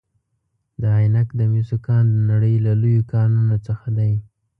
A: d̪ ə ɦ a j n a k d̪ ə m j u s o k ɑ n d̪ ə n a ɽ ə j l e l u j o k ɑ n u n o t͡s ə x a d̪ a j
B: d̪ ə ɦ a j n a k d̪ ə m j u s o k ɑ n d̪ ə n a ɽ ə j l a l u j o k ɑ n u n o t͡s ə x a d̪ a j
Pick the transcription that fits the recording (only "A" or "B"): B